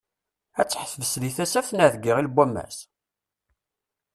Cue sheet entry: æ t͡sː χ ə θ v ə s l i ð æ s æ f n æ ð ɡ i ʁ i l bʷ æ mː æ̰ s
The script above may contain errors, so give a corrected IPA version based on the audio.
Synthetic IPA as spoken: æ t͡sː ħ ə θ v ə s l i θ æ s æ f n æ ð ɡ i ʁ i l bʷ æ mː æ̰ s